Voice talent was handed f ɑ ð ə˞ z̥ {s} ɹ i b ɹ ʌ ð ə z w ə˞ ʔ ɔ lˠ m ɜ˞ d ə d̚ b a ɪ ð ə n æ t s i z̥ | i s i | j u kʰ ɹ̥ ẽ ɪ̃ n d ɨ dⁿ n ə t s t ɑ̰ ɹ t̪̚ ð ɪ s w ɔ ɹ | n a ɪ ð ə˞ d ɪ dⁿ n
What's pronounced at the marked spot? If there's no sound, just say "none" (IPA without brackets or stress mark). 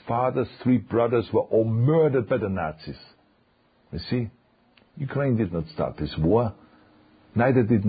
θ